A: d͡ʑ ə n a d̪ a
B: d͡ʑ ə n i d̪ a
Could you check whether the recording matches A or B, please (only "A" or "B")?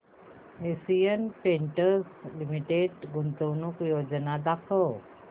A